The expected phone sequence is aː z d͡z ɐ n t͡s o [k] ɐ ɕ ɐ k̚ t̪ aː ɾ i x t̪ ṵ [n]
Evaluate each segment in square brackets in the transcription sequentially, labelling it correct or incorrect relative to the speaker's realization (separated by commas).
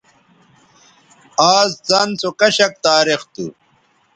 correct, incorrect